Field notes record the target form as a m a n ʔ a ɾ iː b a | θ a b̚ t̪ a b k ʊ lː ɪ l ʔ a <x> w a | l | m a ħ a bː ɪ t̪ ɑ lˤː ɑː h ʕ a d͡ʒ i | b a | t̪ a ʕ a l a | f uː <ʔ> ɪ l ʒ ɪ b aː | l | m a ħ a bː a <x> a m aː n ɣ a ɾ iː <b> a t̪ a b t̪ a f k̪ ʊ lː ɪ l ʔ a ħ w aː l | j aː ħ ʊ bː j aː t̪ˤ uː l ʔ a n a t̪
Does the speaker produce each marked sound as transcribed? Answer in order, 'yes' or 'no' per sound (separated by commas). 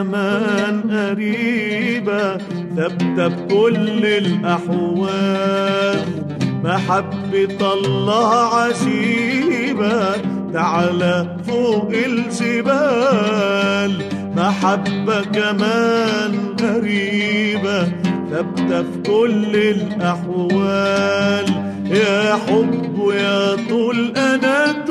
no, yes, no, yes